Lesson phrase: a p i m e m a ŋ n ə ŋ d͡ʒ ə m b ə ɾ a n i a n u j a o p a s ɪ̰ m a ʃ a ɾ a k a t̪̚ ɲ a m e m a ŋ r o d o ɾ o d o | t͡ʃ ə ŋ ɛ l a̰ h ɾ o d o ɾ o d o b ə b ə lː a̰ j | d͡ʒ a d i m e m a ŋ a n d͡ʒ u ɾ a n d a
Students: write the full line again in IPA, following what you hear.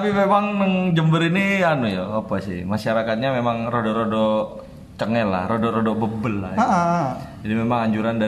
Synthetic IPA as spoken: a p i m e m a ŋ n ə ŋ d͡ʒ ə m b ə ɾ i n i a n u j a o p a s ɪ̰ m a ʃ a ɾ a k a t̪̚ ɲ a m e m a ŋ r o d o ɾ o d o | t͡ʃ ə ŋ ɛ l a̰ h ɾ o d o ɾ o d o b ə b ə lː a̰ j | d͡ʒ a d i m e m a ŋ a ɲ d͡ʒ u ɾ a n d a